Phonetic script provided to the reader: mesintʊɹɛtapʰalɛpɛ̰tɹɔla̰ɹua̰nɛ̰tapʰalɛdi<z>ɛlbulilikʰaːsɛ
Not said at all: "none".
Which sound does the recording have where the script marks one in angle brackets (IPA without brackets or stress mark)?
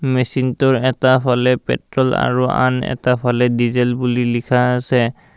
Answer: z